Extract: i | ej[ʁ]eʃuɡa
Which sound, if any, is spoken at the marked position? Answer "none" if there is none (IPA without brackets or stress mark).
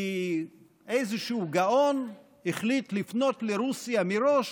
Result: z